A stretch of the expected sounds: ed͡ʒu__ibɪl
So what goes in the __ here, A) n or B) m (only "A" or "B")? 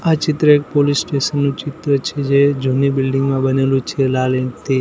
A